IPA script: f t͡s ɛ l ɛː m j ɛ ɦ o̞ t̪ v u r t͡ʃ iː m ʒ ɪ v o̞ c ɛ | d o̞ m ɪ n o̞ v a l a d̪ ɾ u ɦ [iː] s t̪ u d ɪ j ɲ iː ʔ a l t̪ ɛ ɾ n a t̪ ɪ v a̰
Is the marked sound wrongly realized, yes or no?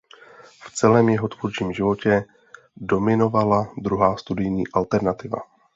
yes